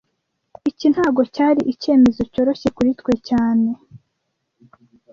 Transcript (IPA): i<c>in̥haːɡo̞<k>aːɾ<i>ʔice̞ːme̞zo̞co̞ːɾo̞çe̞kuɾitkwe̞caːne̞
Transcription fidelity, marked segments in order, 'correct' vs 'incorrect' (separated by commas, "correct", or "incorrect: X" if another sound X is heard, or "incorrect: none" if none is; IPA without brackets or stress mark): correct, incorrect: c, correct